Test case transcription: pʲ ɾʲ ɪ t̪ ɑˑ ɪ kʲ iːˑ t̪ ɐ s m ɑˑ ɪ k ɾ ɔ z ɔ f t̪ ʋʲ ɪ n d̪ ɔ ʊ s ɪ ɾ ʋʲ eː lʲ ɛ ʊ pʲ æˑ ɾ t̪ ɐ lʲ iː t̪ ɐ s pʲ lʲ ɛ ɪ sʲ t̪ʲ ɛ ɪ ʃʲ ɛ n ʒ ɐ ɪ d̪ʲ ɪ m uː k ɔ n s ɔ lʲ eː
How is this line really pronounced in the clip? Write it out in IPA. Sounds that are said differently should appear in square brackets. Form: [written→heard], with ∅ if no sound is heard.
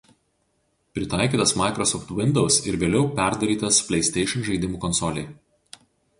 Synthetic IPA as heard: pʲ ɾʲ ɪ t̪ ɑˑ ɪ kʲ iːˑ t̪ ɐ s m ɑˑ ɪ k ɾ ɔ [z→s] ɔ f t̪ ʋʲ ɪ n d̪ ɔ ʊ s ɪ ɾ ʋʲ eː lʲ ɛ ʊ pʲ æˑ ɾ [t̪→d̪] ɐ [lʲ→ɾʲ] iː t̪ ɐ s pʲ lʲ ɛ ɪ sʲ t̪ʲ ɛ ɪ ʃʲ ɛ n ʒ ɐ ɪ d̪ʲ ɪ m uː k ɔ n s ɔ lʲ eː